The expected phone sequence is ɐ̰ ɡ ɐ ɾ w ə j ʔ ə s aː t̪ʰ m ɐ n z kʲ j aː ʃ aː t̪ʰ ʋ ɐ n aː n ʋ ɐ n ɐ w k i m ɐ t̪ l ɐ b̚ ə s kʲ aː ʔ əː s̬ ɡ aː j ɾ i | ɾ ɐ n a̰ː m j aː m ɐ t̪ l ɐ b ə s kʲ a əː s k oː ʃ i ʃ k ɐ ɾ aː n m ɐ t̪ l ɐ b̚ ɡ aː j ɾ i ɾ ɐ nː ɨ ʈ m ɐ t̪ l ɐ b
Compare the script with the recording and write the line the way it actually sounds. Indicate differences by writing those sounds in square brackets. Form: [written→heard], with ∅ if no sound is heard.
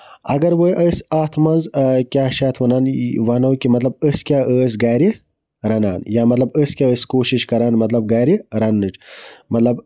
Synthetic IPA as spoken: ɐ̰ ɡ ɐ ɾ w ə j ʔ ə s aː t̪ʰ m ɐ n z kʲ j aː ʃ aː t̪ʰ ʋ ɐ n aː n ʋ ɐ n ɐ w k i m ɐ t̪ l ɐ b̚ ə s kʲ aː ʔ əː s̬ ɡ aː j ɾ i | ɾ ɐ n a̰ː [m→n] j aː m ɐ t̪ l ɐ b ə s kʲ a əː s k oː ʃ i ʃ k ɐ ɾ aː n m ɐ t̪ l ɐ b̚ ɡ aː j ɾ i ɾ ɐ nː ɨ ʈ m ɐ t̪ l ɐ b